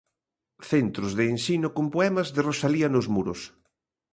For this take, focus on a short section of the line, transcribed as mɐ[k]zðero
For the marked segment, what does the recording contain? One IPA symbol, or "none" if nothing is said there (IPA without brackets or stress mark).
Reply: none